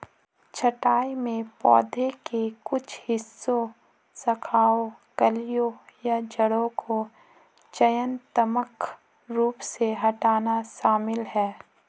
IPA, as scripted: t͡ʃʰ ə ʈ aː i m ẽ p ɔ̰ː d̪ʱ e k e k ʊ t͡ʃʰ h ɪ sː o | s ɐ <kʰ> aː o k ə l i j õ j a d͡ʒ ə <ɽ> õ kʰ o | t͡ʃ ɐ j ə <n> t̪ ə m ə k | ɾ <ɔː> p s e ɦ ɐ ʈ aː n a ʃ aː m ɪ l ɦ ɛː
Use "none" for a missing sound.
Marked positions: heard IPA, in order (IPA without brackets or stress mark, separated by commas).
kʰ, ɽ, n, uː